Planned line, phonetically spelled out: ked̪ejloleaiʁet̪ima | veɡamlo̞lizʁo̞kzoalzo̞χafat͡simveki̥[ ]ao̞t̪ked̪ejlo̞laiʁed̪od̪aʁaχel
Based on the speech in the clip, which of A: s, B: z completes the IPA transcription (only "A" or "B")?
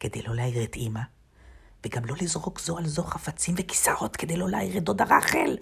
A